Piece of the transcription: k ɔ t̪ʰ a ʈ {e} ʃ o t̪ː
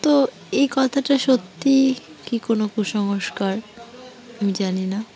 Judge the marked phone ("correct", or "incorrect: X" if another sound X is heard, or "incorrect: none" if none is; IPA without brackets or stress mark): incorrect: a